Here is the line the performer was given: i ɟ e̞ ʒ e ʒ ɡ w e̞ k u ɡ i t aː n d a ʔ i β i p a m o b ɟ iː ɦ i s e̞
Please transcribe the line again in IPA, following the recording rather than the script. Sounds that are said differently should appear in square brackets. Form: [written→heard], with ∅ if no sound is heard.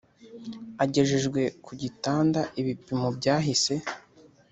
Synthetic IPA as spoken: [i→a] ɟ e̞ ʒ e ʒ ɡ w e̞ k u [ɡ→ɟ] i t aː n d a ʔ i β i p [a→i] m o b ɟ [iː→aː] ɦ i s e̞